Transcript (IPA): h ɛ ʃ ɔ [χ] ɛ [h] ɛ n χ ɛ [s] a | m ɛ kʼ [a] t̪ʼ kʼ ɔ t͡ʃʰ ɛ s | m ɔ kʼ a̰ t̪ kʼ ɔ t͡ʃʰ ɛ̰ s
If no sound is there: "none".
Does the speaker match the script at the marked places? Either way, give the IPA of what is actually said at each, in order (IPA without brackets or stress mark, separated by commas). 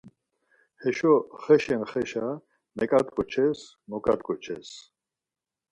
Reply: χ, ʃ, ʃ, a